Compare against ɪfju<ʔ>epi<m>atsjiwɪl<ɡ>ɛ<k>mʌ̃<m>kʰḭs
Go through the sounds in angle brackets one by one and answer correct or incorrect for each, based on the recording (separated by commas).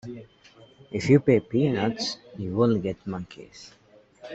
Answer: incorrect, incorrect, correct, incorrect, incorrect